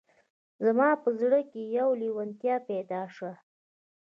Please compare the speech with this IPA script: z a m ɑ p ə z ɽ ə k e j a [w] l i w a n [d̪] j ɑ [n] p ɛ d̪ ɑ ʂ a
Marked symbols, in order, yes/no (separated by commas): yes, no, no